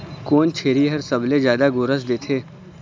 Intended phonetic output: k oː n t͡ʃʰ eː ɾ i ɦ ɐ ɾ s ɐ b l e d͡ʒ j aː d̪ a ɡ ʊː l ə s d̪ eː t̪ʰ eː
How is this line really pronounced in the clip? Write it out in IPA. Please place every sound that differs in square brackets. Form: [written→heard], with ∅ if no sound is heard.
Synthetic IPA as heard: k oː n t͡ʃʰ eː ɾ i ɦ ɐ ɾ s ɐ b l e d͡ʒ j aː d̪ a ɡ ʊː [l→ɾ] ə s d̪ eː t̪ʰ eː